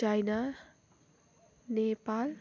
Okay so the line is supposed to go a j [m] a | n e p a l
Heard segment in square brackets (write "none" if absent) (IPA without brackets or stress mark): n